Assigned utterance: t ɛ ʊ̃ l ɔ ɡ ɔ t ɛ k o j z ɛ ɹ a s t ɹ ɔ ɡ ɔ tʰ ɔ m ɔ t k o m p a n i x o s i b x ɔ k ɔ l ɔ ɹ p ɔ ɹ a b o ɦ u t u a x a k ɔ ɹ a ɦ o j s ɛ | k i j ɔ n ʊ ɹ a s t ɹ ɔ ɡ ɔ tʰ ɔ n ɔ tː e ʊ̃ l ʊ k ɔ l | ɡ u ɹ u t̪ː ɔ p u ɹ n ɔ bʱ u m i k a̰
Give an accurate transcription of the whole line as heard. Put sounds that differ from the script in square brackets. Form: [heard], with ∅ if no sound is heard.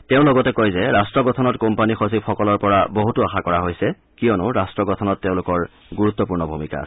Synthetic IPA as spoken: t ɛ ʊ̃ l ɔ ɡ ɔ t ɛ k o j z ɛ ɹ a s t ɹ ɔ ɡ ɔ tʰ ɔ [n] ɔ t k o m p a n i x o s i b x ɔ k ɔ l ɔ ɹ p ɔ ɹ a b o ɦ u t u a x a k ɔ ɹ a ɦ o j s ɛ | k i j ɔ n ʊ ɹ a s t ɹ ɔ ɡ ɔ tʰ ɔ n ɔ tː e ʊ̃ l ʊ k ɔ [ɹ] | ɡ u ɹ u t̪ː ɔ p u ɹ n ɔ bʱ u m i k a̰